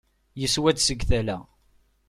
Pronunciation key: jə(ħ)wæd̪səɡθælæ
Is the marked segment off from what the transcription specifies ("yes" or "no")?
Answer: yes